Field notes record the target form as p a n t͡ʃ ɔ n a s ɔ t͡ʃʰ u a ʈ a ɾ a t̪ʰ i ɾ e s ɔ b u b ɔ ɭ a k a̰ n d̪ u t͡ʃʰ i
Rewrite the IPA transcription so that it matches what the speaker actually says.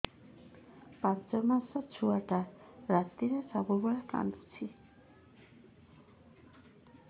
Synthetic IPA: p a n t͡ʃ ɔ m a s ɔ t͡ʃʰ u a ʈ a ɾ a t̪ i ɾ e s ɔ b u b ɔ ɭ a k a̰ n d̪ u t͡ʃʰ i